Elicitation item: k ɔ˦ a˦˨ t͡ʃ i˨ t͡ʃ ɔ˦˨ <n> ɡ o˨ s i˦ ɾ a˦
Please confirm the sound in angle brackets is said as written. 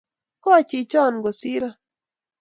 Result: yes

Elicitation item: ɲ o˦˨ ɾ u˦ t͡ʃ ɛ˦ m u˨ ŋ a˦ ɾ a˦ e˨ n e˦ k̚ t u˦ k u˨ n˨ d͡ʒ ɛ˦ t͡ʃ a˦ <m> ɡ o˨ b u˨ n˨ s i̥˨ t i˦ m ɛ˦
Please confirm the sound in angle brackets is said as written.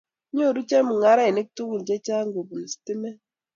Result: no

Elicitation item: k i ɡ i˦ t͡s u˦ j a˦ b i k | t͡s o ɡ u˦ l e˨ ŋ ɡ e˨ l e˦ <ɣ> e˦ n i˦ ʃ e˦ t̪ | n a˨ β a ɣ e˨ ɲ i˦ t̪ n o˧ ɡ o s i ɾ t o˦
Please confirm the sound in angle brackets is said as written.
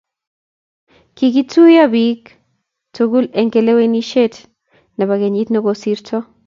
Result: no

